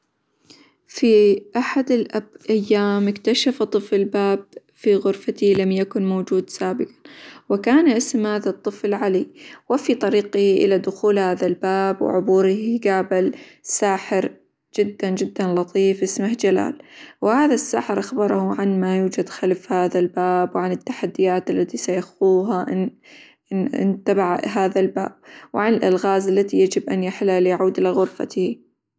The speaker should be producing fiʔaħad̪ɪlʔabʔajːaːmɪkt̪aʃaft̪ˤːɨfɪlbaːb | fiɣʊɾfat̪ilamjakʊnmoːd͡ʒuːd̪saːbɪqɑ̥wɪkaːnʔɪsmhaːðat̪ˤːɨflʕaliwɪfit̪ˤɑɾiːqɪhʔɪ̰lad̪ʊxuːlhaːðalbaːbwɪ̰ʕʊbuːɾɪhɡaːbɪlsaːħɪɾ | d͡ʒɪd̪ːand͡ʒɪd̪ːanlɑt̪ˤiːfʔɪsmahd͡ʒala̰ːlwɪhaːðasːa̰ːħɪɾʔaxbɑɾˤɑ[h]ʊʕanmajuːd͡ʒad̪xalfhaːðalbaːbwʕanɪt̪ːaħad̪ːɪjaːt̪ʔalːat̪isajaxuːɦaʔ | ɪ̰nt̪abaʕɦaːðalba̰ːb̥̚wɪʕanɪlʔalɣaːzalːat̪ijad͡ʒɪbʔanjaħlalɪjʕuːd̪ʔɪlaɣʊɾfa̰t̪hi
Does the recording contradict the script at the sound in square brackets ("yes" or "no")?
no